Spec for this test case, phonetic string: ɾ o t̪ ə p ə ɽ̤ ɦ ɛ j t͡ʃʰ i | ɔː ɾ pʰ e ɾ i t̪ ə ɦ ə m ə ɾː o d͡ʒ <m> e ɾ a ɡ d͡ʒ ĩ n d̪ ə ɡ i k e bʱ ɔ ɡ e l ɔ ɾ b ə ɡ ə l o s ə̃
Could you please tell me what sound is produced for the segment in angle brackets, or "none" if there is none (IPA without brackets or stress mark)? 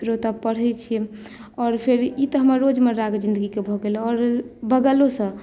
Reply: m